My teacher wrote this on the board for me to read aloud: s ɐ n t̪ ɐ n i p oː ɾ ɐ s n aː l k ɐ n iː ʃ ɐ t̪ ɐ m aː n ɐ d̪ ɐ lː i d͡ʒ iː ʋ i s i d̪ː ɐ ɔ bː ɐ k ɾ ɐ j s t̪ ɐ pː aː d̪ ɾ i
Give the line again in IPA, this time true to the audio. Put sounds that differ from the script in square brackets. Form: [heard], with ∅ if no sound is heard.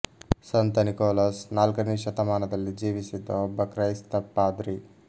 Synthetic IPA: s ɐ n t̪ ɐ n i [k] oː [l] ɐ s n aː l k ɐ n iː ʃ ɐ t̪ ɐ m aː n ɐ d̪ ɐ lː i d͡ʒ iː ʋ i s i d̪ː ɐ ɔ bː ɐ k ɾ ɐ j s t̪ ɐ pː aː d̪ ɾ i